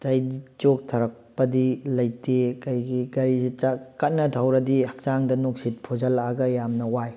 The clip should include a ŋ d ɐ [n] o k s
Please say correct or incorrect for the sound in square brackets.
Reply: correct